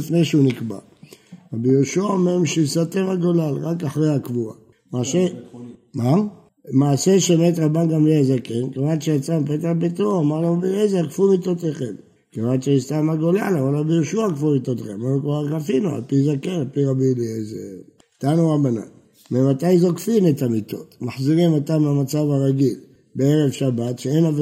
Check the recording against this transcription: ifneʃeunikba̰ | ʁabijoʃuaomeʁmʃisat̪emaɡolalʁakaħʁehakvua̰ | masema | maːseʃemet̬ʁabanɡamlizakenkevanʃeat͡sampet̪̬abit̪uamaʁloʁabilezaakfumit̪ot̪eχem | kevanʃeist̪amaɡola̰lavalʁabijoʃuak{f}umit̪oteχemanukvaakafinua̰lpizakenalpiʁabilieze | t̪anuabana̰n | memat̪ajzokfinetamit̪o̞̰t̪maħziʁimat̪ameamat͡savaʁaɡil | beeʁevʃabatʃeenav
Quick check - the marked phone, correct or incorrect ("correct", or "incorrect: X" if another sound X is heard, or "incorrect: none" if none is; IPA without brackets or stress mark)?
correct